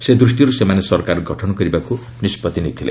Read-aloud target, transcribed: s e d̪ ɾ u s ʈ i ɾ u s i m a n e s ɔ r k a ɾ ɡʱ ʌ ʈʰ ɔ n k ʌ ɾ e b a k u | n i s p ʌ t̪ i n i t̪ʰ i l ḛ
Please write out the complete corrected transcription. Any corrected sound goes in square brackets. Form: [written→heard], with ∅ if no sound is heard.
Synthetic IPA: s e d̪ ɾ u s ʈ i ɾ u s [i→e] m a n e s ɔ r k a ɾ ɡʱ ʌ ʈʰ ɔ n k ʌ ɾ [e→i] b a k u | n i s p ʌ t̪ i n i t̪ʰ i l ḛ